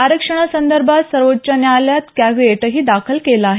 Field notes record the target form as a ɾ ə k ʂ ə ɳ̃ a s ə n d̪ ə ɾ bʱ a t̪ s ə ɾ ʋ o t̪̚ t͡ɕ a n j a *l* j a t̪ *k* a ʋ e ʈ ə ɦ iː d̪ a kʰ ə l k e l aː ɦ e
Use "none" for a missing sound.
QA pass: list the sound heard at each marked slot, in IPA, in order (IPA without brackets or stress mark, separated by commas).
l, k